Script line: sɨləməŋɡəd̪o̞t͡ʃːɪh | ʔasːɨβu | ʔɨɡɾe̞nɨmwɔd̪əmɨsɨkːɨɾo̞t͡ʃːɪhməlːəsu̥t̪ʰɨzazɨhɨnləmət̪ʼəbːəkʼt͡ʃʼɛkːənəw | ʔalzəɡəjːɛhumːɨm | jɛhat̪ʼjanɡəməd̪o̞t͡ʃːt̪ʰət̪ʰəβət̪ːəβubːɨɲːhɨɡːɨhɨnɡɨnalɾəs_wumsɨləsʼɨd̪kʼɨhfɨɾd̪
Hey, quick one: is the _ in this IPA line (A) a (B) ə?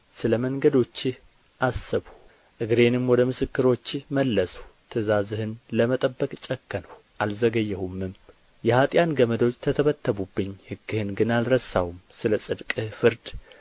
A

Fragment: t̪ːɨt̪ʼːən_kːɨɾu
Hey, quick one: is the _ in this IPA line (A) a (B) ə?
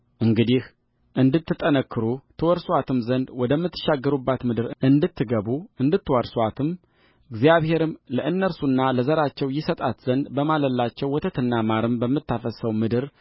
B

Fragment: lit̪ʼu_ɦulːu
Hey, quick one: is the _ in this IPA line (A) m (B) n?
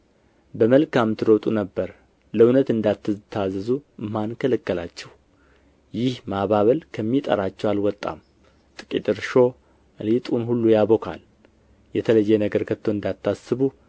B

